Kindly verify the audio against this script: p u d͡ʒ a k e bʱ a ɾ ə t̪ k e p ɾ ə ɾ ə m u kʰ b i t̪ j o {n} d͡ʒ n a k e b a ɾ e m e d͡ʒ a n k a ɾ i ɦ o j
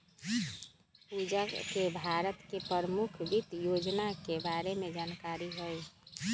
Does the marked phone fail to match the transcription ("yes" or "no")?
yes